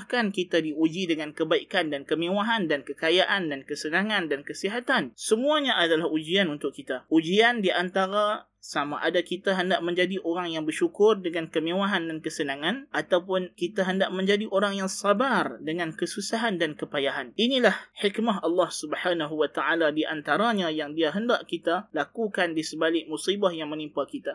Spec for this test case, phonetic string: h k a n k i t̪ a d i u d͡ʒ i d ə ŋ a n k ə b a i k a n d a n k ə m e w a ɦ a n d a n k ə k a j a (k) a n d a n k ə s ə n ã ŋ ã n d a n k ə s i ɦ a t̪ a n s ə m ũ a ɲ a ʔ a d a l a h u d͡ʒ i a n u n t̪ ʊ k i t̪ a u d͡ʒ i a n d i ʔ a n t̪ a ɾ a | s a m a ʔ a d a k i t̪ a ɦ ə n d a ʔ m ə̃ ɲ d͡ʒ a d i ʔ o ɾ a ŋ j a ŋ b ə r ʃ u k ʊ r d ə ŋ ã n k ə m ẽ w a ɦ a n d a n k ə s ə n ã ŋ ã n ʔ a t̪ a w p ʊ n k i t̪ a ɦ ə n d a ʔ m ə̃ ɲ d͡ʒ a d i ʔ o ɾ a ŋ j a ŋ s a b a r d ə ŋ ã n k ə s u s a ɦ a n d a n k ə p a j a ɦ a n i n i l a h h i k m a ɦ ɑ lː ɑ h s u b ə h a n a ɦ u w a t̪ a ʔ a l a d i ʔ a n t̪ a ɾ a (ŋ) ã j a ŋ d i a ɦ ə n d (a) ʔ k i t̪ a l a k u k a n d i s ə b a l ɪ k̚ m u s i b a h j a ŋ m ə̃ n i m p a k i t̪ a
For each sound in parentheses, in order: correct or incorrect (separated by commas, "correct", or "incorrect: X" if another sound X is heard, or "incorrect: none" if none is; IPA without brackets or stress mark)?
incorrect: ʔ, incorrect: ɲ, correct